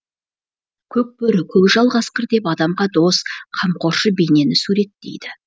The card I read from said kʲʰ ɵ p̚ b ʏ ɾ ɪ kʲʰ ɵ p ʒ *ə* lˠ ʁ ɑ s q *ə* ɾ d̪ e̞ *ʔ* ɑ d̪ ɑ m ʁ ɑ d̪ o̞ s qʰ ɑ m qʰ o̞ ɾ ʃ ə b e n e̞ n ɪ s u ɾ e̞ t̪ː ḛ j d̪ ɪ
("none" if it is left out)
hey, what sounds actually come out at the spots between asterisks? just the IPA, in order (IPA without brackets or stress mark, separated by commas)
ɑ, ə, p